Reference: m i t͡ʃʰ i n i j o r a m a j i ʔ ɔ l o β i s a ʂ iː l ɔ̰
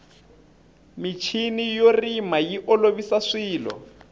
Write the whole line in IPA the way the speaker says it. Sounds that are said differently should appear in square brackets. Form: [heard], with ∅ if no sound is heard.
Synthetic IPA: m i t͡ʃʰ i n i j o r [i] m a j i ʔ ɔ l o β i s a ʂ iː l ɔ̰